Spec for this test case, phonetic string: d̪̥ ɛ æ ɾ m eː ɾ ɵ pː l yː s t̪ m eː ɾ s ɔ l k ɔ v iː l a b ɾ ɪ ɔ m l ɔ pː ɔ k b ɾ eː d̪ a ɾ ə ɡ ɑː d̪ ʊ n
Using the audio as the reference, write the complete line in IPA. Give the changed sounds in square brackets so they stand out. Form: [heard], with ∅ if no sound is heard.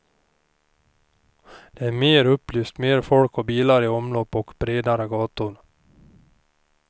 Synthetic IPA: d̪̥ ɛ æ ɾ m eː ɾ ɵ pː l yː s t̪ m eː ɾ [f] ɔ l k ɔ [b] iː l a [∅] ɾ ɪ ɔ m l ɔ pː ɔ k b ɾ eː d̪ a ɾ ə ɡ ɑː [t̪] ʊ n